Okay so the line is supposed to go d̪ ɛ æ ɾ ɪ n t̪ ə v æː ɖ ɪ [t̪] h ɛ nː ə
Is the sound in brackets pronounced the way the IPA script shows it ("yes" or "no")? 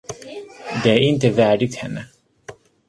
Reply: yes